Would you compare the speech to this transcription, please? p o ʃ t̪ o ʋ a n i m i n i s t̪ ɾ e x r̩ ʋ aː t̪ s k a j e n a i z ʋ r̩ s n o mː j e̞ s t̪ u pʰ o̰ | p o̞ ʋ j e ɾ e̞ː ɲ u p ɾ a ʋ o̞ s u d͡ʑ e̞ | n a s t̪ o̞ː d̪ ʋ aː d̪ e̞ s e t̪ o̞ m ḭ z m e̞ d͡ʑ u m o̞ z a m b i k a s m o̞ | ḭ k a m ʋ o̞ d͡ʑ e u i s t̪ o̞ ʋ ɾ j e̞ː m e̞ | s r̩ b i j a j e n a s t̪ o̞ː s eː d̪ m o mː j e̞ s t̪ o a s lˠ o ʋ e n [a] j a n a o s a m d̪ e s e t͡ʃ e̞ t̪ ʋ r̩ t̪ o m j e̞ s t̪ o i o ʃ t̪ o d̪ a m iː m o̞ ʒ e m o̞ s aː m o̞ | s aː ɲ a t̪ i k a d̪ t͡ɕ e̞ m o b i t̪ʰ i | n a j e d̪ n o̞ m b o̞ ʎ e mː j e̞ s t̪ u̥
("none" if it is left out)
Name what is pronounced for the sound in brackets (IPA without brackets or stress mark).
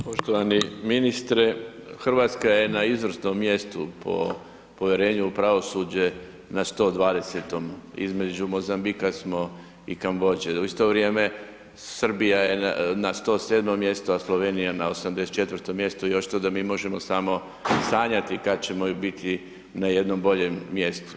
i